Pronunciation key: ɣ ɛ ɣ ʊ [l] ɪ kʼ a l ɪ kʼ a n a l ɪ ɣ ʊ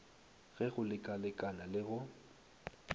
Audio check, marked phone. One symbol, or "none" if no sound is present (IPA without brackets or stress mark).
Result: l